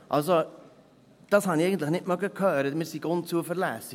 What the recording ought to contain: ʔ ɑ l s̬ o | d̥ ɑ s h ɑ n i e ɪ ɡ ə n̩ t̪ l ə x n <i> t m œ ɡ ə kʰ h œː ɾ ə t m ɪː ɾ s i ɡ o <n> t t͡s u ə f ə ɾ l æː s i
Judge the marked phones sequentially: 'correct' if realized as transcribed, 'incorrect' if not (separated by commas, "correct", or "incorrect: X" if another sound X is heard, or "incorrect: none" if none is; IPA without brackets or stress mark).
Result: incorrect: ɪ, correct